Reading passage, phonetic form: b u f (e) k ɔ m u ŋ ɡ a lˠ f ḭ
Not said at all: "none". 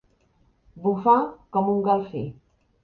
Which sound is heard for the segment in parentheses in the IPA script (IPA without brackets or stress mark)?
a